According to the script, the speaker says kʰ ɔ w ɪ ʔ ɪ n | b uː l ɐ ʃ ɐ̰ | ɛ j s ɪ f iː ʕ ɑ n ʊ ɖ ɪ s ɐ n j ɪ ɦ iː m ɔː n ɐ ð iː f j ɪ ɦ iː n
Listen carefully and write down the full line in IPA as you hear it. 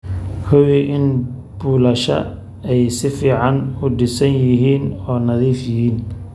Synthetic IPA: kʰ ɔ w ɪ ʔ ɪ n | b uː l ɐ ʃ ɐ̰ | ɛ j s ɪ f iː ʕ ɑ n ʊ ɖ ɪ s ɐ n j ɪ ɦ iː n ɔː n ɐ ð iː f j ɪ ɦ iː n